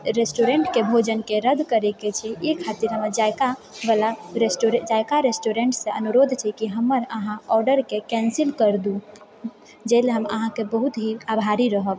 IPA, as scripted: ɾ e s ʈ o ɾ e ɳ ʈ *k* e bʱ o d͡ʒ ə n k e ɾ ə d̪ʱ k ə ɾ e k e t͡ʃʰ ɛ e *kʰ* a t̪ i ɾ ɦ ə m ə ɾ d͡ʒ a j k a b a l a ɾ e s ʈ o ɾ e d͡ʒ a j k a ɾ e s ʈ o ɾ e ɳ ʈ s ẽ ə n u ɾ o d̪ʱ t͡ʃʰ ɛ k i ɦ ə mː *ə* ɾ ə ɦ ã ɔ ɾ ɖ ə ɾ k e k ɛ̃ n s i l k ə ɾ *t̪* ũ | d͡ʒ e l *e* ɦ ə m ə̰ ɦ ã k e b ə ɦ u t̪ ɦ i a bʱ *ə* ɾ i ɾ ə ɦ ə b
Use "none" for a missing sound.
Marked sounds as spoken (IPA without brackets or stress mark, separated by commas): k, kʰ, ə, d̪, e, a